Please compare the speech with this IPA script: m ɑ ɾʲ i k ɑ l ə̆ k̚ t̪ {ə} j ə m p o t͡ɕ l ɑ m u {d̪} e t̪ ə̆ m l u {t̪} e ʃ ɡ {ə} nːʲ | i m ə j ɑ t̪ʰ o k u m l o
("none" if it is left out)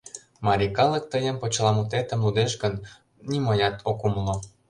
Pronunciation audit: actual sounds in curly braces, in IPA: ə, t̪, d̪, ə

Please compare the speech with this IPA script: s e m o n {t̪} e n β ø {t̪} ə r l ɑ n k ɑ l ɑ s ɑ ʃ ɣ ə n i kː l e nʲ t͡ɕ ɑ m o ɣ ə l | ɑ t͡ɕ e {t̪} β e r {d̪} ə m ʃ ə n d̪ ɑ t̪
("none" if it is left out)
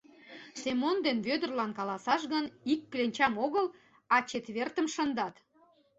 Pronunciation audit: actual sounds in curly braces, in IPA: d̪, d̪, t̪, t̪

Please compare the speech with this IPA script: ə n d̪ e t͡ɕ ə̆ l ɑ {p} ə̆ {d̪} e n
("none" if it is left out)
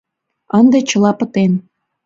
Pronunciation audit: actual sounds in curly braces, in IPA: p, t̪

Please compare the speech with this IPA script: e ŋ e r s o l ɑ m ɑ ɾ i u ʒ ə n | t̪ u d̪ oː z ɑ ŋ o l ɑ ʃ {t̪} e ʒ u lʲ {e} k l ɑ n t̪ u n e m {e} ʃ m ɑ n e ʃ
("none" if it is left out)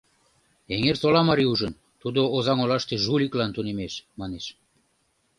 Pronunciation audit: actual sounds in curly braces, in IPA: t̪, i, e

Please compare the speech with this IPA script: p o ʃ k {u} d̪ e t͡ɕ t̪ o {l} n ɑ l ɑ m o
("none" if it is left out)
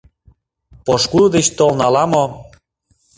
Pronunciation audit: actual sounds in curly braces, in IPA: u, l

